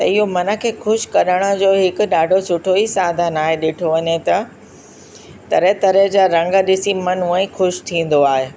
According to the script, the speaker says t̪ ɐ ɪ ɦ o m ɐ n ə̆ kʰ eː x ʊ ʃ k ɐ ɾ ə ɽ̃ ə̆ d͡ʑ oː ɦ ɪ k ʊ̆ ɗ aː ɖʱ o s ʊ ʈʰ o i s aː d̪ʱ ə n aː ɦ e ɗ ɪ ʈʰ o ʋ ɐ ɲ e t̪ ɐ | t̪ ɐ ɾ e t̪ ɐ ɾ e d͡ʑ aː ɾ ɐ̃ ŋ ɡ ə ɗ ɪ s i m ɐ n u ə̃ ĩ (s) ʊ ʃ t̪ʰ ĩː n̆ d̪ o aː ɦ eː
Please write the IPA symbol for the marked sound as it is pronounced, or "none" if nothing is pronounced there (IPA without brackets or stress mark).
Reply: x